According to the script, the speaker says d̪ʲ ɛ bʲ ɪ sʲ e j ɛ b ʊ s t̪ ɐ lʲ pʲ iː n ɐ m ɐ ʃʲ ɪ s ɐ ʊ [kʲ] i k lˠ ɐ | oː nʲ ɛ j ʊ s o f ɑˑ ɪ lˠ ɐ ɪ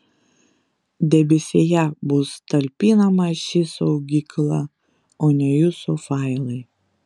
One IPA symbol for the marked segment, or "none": ɡʲ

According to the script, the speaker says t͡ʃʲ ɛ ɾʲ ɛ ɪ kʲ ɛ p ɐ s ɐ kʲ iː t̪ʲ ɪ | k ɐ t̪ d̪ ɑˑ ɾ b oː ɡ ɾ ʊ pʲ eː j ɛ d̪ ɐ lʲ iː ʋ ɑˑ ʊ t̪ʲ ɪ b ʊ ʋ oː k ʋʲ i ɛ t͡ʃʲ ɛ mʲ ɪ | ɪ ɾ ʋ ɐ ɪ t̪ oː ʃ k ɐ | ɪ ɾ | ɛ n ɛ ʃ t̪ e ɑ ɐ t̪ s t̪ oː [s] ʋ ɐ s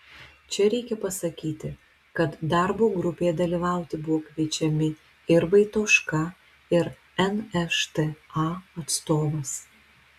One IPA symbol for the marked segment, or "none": none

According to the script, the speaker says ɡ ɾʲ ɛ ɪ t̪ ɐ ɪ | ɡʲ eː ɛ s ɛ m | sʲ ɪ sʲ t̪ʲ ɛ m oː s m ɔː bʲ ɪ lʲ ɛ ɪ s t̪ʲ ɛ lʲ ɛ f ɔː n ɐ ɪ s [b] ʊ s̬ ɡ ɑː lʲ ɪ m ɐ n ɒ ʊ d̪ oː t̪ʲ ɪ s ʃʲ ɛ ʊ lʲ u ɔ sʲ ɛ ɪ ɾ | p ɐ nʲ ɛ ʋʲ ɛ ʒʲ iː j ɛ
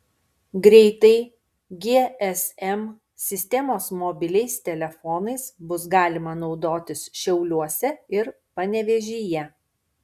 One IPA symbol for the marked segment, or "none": b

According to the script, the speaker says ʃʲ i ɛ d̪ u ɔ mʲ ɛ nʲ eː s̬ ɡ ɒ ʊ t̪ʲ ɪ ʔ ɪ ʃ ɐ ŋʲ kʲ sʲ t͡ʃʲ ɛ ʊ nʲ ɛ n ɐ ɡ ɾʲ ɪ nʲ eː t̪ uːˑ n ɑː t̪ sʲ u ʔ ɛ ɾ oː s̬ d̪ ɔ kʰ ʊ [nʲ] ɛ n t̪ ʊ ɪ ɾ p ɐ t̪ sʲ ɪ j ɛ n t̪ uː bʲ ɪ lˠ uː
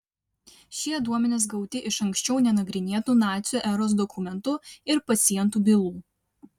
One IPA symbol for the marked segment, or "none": mʲ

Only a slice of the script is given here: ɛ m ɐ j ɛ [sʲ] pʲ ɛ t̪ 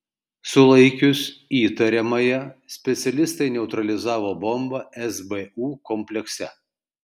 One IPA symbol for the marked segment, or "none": sʲ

